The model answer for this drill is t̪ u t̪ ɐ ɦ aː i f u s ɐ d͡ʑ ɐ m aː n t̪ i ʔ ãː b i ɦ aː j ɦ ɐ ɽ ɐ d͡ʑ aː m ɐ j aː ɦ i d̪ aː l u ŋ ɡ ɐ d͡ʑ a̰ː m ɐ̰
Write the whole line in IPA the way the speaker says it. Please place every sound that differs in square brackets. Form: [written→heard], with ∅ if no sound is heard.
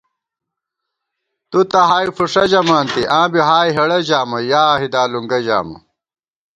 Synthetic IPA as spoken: t̪ u t̪ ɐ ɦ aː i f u [s→ʂ] ɐ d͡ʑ ɐ m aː n t̪ i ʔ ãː b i ɦ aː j ɦ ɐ ɽ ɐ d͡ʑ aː m ɐ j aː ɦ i d̪ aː l u ŋ ɡ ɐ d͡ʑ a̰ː m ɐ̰